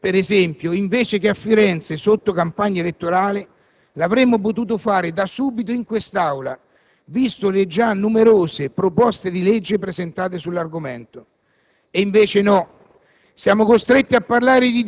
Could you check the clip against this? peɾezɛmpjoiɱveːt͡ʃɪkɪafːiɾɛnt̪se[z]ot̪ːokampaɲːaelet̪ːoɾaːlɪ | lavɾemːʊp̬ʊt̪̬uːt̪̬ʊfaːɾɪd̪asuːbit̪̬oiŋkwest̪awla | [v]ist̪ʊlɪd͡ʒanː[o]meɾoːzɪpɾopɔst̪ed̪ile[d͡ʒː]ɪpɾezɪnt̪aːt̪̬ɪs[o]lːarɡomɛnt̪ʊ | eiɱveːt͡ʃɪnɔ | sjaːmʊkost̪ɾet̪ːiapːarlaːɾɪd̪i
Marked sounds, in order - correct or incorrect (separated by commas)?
incorrect, correct, incorrect, correct, incorrect